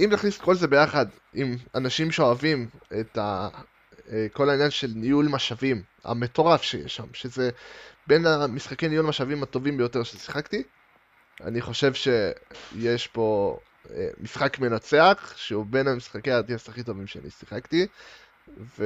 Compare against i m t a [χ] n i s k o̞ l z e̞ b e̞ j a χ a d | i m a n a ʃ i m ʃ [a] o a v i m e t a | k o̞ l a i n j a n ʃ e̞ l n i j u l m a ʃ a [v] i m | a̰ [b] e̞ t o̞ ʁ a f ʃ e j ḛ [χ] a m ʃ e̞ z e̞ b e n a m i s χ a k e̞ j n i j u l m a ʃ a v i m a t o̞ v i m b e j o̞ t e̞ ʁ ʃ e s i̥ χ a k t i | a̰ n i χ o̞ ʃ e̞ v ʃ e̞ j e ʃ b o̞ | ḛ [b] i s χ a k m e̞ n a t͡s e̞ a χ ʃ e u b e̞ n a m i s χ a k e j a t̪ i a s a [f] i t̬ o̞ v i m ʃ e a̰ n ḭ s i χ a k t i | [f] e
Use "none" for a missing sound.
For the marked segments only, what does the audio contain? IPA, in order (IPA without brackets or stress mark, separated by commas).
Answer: χ, e, v, m, ʃ, m, χ, v